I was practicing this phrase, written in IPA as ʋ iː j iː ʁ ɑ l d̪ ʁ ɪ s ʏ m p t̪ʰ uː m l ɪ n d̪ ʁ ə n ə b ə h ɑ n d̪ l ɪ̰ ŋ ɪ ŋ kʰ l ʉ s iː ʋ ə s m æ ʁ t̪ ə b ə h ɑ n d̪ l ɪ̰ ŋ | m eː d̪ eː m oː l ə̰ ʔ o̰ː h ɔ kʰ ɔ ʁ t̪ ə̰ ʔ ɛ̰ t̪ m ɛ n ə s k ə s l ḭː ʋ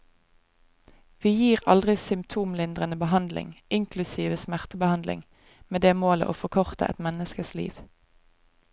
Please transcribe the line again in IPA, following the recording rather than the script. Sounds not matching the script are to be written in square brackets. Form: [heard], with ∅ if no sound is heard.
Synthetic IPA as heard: ʋ iː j iː ʁ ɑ l d̪ ʁ ɪ s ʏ m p t̪ʰ uː m l ɪ n d̪ ʁ ə n ə b ə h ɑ n d̪ l ɪ̰ ŋ ɪ ŋ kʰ l ʉ s iː ʋ ə s m æ ʁ t̪ ə b ə h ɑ n d̪ l ɪ̰ ŋ | m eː d̪ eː m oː l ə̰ ʔ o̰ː [f] ɔ kʰ ɔ ʁ t̪ ə̰ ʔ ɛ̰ t̪ m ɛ n ə s k ə s l ḭː ʋ